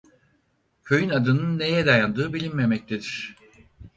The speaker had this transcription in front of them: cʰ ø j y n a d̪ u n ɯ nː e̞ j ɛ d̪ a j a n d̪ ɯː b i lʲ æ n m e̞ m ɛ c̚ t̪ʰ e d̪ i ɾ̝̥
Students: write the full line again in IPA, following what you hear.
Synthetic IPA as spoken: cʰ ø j y n a d̪ ɯ n ɯ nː e̞ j ɛ d̪ a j a n d̪ ɯː b i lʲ i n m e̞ m ɛ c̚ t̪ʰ e d̪ i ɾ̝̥